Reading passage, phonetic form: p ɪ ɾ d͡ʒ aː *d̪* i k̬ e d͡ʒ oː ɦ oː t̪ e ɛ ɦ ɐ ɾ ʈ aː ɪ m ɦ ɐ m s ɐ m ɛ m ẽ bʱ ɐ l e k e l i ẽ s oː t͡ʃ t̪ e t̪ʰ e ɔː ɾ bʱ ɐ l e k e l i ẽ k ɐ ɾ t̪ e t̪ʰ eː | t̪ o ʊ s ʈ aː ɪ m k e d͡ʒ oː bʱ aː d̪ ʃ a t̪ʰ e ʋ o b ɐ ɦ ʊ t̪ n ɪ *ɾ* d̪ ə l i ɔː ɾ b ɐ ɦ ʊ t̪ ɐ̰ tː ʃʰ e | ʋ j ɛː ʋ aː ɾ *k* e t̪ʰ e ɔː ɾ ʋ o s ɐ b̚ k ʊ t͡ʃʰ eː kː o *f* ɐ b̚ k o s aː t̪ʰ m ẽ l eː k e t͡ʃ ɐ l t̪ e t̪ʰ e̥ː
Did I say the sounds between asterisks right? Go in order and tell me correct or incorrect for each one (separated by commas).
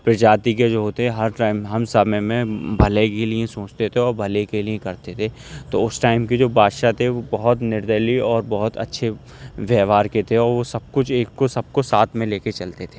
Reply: incorrect, correct, correct, incorrect